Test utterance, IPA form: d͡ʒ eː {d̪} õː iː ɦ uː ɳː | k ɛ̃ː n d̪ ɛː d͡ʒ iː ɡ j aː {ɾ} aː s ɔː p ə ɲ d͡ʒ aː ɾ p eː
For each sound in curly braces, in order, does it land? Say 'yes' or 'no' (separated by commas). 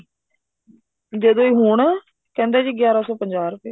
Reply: yes, yes